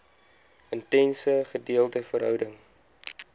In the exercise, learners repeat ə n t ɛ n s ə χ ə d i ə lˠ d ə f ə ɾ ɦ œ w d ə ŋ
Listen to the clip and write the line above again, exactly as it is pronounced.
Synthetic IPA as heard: ə n t ɛ n s ə χ ə d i ə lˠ t ə f ə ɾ ɦ œ w d ə ŋ